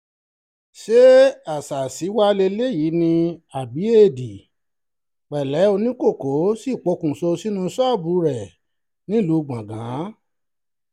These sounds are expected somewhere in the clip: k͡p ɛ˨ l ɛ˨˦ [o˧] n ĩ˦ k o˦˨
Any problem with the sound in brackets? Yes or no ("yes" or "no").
no